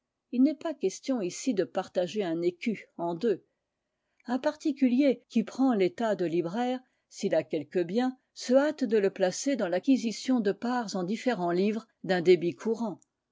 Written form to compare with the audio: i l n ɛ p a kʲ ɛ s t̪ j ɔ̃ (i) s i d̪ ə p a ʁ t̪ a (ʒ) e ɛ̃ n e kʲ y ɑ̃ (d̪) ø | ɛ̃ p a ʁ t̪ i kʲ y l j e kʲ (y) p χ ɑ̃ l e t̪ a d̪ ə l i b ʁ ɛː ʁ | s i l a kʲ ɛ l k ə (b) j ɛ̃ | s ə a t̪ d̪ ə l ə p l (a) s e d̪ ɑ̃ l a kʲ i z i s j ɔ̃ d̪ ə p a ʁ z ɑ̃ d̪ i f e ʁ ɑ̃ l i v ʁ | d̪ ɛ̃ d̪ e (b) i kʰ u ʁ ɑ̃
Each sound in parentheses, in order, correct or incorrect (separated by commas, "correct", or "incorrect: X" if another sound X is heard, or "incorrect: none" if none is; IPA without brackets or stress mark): correct, correct, correct, incorrect: i, correct, correct, correct